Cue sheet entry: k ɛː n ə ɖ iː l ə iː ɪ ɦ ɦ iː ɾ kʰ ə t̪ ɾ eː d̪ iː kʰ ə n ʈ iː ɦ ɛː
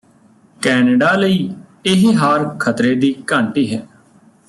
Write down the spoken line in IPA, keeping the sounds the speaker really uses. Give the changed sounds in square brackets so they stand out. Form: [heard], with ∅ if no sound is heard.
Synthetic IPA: k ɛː n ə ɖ [aː] l ə iː ɪ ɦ ɦ [aː] ɾ kʰ ə t̪ ɾ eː d̪ iː [k] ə [ɳ] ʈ iː ɦ ɛː